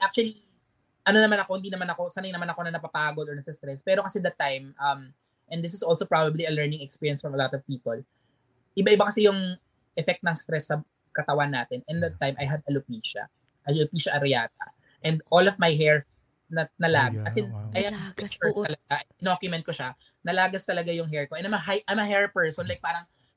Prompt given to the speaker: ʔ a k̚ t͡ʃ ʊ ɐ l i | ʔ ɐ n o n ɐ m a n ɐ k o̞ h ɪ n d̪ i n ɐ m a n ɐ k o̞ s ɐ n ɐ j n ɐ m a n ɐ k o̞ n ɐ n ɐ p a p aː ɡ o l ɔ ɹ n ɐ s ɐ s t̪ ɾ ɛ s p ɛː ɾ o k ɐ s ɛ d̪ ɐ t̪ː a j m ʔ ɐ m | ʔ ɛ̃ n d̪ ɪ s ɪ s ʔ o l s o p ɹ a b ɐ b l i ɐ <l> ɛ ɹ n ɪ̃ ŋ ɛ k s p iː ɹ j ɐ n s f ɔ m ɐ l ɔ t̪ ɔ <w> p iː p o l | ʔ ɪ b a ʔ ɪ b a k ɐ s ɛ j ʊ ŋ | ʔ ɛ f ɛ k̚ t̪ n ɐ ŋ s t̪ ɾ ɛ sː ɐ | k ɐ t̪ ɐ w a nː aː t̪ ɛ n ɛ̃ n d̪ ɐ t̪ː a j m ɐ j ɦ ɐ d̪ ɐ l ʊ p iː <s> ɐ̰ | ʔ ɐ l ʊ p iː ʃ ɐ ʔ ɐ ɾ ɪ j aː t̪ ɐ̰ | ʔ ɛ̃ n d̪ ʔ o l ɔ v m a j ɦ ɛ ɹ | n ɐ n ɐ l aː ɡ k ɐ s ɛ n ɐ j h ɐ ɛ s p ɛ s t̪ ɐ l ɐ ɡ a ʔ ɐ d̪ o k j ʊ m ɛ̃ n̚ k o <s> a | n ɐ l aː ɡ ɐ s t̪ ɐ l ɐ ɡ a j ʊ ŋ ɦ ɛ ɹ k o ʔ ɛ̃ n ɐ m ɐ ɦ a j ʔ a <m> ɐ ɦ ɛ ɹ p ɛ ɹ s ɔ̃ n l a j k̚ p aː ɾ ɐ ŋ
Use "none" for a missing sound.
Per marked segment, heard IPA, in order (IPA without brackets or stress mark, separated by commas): l, v, ʃ, ʃ, m